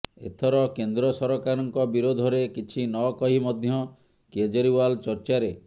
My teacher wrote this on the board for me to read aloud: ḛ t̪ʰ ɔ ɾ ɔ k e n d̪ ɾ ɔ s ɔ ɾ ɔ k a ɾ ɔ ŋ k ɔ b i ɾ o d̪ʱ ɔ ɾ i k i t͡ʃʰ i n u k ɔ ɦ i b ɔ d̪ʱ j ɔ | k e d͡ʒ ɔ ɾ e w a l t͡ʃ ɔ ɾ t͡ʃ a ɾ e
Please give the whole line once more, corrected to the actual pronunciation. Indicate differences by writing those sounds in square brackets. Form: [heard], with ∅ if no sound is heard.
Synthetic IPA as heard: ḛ t̪ʰ ɔ ɾ ɔ k e n d̪ ɾ ɔ s ɔ ɾ ɔ k a ɾ ɔ ŋ k ɔ b i ɾ o d̪ʱ ɔ ɾ [e] k i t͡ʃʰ i n [ɔ] k ɔ ɦ i [m] ɔ d̪ʱ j ɔ | k e d͡ʒ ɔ ɾ [i] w a l t͡ʃ ɔ ɾ t͡ʃ a ɾ e